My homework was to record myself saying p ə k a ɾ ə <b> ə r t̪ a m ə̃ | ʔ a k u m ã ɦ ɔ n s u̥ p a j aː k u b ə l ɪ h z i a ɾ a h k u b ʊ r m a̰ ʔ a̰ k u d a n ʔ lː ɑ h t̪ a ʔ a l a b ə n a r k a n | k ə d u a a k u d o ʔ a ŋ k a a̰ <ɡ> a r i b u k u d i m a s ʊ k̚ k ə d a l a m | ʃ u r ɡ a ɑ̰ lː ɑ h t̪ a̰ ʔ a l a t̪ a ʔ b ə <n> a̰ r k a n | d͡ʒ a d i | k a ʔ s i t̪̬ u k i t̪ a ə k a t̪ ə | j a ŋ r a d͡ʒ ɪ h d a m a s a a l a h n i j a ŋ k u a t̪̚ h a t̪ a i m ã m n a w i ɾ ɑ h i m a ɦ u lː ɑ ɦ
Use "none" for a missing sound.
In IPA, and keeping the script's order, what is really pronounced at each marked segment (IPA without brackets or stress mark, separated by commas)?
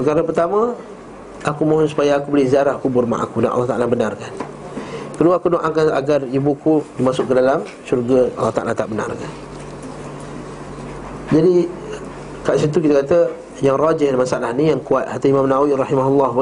p, ɡ, n